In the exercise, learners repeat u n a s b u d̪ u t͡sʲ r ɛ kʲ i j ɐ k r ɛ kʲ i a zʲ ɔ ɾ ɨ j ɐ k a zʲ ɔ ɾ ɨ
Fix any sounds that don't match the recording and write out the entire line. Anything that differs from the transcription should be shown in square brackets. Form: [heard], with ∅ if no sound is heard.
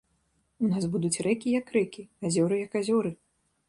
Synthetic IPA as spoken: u n a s b u d̪ u t͡sʲ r ɛ kʲ i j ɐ k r ɛ kʲ i a zʲ ɔ ɾ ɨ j ɐ k a zʲ ɔ ɾ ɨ